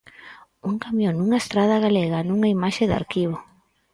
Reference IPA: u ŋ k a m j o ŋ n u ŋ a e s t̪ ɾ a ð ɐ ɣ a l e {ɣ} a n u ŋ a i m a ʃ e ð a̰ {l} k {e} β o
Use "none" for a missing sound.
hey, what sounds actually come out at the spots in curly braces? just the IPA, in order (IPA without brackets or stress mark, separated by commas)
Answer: ɣ, ɾ, i